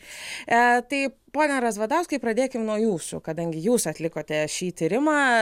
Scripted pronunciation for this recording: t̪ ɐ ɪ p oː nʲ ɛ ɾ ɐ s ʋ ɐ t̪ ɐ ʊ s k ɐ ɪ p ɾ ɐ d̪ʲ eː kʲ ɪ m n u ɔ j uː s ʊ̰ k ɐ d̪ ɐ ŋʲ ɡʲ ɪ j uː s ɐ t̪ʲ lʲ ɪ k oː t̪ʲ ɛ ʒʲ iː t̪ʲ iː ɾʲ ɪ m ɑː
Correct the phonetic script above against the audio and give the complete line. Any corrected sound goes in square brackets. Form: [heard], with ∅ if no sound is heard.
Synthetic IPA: t̪ ɐ ɪ p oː nʲ ɛ ɾ ɐ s ʋ ɐ [d̪] ɐ ʊ s k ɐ ɪ p ɾ ɐ d̪ʲ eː kʲ ɪ m n u ɔ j uː s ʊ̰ k ɐ d̪ ɐ ŋʲ ɡʲ ɪ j uː s ɐ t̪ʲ lʲ ɪ k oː t̪ʲ ɛ [ʃʲ] iː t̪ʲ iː ɾʲ ɪ m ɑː